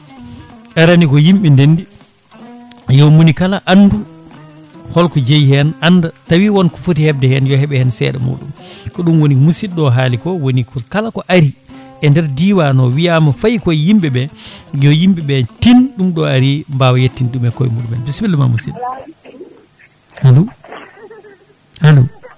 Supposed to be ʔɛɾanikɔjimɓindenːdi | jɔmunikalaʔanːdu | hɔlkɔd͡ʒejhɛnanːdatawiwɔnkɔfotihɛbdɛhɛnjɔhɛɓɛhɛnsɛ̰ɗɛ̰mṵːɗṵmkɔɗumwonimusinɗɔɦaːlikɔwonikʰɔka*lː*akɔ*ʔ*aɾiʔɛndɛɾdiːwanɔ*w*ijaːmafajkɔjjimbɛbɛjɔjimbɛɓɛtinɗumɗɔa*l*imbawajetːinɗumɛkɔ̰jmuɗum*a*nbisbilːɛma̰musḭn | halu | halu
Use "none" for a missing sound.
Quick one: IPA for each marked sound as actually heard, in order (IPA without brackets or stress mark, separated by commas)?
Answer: l, ʔ, w, ɾ, ɛ